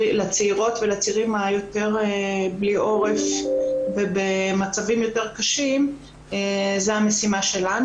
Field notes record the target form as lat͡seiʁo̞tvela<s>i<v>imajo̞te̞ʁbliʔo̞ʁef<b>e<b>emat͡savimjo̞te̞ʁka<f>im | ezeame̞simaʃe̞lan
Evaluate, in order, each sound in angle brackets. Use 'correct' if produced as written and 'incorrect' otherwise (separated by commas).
incorrect, incorrect, incorrect, correct, incorrect